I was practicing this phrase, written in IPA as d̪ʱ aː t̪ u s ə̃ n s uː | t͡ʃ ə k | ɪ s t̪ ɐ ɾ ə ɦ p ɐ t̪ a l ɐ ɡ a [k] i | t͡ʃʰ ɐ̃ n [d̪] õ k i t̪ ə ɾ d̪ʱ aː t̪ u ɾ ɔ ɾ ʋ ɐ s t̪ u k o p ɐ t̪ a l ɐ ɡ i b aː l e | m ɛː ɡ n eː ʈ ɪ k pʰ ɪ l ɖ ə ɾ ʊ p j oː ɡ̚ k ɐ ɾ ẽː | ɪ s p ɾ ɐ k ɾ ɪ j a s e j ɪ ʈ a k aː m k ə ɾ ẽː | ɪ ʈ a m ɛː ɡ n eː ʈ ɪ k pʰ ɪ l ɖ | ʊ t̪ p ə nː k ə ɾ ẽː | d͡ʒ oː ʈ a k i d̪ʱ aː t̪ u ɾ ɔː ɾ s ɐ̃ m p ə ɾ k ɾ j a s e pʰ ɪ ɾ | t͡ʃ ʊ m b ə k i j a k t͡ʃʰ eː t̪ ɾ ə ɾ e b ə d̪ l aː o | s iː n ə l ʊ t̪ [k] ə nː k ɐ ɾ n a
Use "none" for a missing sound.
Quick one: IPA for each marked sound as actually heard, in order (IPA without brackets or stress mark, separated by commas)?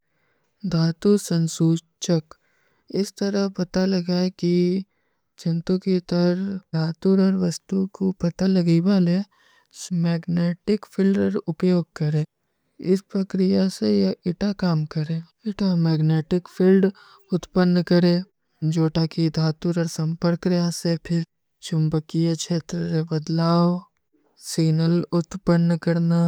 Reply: k, t̪, p